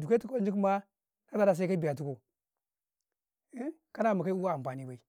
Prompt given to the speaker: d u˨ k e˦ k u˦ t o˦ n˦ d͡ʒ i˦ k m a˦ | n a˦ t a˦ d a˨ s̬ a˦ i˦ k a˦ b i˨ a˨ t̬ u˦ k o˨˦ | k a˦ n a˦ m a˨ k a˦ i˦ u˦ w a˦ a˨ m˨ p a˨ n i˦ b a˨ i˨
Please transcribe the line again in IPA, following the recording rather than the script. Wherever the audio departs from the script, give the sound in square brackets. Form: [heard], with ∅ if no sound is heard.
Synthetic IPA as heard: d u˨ k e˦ [t] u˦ [k] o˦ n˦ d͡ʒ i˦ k m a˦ | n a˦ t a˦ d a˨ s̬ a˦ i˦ k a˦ b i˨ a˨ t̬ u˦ k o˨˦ | k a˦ n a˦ m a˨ k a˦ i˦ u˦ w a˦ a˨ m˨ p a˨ n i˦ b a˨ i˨